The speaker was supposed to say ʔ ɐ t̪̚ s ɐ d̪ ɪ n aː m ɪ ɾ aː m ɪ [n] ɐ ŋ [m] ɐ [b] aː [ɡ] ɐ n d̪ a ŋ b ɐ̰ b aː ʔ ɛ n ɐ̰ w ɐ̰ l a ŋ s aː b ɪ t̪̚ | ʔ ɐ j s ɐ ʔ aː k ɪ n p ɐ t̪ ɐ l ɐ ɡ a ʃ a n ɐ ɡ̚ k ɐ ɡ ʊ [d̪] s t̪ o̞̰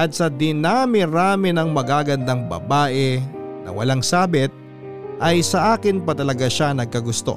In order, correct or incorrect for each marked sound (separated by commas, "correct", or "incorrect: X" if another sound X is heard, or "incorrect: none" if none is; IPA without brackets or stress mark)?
correct, correct, incorrect: ɡ, correct, incorrect: none